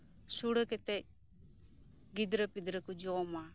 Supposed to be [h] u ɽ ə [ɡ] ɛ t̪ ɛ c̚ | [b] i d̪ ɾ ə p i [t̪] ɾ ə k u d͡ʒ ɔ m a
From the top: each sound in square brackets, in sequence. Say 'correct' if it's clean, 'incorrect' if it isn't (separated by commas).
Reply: incorrect, incorrect, incorrect, incorrect